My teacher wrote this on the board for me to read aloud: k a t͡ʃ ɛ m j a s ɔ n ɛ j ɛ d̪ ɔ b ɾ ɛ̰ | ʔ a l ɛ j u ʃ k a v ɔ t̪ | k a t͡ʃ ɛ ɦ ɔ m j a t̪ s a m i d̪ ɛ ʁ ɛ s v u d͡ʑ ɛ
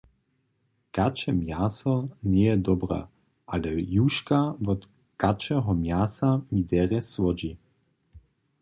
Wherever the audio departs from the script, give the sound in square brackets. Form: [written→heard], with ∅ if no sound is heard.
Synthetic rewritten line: k a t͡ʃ ɛ m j a s ɔ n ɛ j ɛ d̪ ɔ b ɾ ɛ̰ | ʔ a l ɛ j u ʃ k a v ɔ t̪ | k a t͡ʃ ɛ ɦ ɔ m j a [t̪→∅] s a m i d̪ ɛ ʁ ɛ s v [u→ɔ] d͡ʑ [ɛ→i]

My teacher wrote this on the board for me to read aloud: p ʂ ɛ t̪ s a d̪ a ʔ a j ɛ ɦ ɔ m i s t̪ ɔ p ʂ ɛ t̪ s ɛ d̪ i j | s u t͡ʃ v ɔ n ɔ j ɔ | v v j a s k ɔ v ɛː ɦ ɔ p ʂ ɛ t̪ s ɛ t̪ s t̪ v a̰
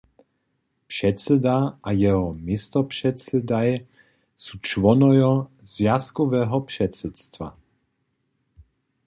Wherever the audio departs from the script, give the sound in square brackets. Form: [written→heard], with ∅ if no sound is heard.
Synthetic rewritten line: p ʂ ɛ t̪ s [a→ɛ] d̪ a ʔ a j ɛ ɦ ɔ m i s t̪ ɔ p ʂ ɛ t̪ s ɛ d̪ [i→a] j | s u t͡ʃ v ɔ n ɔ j ɔ | [v→z] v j a s k ɔ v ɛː ɦ ɔ p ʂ ɛ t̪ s ɛ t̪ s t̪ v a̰

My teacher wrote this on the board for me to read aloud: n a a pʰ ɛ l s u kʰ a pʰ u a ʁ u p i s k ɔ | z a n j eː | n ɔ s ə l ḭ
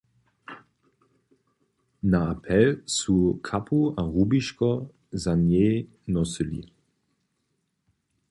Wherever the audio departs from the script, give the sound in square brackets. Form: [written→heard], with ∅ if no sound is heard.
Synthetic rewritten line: n a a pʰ ɛ l s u kʰ a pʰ u a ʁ u [p→b] i [s→ʃ] k ɔ | z a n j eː | n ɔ s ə l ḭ

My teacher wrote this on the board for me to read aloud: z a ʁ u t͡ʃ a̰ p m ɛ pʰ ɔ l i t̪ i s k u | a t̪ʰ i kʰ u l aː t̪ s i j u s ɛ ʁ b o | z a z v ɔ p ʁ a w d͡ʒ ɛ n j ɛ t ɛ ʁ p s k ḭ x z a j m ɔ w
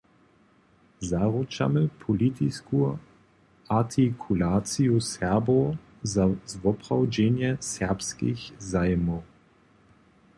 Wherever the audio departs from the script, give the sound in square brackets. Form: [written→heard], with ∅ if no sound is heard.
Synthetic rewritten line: z a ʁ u t͡ʃ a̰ [p→∅] m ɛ pʰ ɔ l i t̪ i s k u | a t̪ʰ i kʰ u l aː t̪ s i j u s ɛ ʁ b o | z a z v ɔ p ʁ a w d͡ʒ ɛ n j ɛ [t→s] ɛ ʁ p s k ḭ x z a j m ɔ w

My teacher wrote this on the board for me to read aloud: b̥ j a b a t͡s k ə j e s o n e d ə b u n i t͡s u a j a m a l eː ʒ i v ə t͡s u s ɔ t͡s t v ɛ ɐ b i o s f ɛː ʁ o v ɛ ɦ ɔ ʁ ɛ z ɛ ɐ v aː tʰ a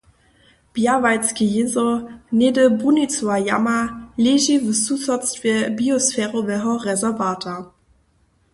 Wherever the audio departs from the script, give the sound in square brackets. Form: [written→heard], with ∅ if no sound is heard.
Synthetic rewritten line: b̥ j a [b→v] a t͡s k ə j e [s→z] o n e d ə b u n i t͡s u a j a m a l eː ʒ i v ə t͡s u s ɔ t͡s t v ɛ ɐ b i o s f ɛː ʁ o v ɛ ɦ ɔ ʁ ɛ z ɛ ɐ v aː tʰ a

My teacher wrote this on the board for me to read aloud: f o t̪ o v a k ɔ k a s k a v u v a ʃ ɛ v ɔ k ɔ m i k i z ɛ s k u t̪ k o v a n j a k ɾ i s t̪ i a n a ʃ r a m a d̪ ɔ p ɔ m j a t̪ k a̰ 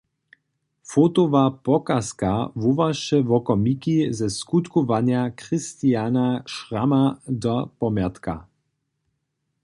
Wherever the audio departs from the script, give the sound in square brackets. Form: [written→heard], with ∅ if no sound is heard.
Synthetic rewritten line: f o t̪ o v a [k→p] ɔ k a s k a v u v a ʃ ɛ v ɔ k ɔ m i k i z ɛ s k u t̪ k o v a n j a k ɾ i s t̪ i a n a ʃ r a m a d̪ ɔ p ɔ m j a t̪ k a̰

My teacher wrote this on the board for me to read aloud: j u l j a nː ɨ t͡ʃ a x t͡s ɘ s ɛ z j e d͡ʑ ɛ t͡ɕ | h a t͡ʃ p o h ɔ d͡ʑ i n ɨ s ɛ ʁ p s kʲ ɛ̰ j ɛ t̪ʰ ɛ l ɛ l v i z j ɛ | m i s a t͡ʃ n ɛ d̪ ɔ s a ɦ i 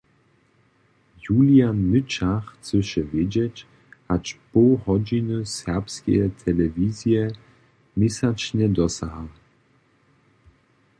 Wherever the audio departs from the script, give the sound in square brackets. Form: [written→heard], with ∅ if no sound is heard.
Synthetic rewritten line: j u l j a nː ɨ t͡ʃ a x t͡s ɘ [s→ʃ] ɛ [z→v] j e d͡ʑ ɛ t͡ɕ | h a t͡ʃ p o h ɔ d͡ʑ i n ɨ s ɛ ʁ p s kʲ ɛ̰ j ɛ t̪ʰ ɛ l ɛ [l→∅] v i z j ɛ | m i s a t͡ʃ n ɛ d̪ ɔ s a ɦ [i→a]

